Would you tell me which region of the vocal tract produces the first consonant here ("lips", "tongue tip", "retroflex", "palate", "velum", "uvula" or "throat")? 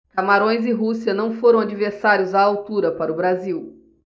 velum